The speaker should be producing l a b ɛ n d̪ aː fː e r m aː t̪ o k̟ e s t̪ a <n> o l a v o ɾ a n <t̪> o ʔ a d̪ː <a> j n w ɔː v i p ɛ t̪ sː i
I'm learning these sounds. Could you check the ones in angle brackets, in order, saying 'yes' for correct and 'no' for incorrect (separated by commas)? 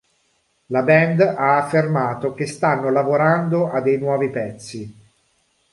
no, no, no